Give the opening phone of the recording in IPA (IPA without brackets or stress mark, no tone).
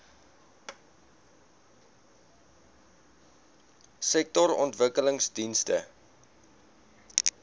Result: s